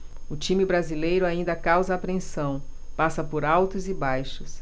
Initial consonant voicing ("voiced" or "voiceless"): voiceless